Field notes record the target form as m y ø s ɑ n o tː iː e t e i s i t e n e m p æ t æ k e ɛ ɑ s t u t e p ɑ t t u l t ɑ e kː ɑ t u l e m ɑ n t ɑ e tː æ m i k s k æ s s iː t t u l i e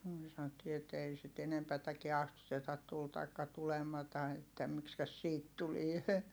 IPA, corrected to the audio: m y ø s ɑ n o tː iː e t e i s i t e n e m p æ t æ k i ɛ ɑ s t u t e t ɑ t t u l t ɑ i kː ɑ t u l e m ɑ t ɑ e tː æ m i k s k æ s s iː t t u l i e